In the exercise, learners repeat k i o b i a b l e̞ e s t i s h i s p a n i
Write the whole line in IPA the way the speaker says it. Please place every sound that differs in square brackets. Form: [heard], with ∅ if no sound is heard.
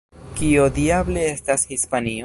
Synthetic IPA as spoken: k i o [d] i a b l e̞ e s t [a] s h i s p a n i